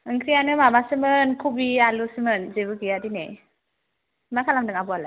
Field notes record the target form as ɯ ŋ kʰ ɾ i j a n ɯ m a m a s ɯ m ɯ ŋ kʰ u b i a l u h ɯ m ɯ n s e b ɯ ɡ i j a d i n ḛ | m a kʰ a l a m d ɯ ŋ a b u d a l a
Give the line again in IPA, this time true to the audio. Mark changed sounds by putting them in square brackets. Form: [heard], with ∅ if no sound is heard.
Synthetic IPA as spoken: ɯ ŋ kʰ ɾ i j a n ɯ m a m a s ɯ m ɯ [n] kʰ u b i a l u [s] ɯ m ɯ n [z] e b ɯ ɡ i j a d i n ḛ | m a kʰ a l a m d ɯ ŋ a b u [∅] a l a